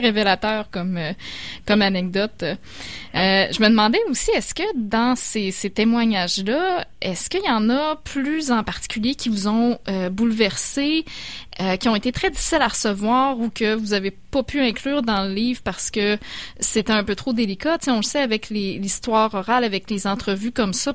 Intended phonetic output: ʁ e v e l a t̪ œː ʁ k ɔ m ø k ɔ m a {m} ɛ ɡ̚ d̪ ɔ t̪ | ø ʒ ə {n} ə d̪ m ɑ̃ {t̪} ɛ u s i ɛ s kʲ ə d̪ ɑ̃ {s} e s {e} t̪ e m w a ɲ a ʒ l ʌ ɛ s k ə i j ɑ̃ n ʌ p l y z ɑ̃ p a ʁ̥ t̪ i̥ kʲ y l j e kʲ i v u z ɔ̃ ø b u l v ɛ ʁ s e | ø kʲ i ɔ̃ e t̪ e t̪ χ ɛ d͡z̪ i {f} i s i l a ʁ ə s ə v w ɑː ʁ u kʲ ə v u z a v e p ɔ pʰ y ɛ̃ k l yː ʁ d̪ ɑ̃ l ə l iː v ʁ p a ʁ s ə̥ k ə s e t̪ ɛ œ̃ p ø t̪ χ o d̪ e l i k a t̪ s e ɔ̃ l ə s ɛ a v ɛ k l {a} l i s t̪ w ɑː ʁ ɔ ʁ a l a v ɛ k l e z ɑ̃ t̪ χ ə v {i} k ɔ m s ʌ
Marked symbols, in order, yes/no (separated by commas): no, no, no, yes, yes, yes, no, no